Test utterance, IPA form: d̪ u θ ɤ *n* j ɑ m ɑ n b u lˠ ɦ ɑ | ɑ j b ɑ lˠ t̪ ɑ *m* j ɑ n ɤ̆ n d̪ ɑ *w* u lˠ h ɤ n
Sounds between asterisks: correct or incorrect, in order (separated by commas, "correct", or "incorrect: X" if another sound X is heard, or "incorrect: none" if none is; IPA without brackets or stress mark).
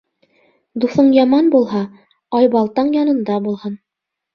incorrect: ɴ, incorrect: ɴ, incorrect: b